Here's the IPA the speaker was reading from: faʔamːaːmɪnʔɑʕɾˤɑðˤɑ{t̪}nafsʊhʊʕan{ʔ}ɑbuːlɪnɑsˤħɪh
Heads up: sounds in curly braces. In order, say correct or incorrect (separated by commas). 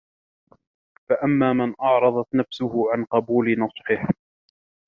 correct, incorrect